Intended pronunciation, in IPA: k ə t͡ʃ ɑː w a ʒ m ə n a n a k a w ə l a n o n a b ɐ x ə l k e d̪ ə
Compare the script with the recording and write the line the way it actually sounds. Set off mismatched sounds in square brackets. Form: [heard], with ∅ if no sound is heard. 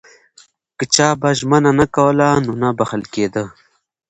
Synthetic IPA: k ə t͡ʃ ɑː [b] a ʒ m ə n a n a k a w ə l a n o n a b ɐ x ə l k e d̪ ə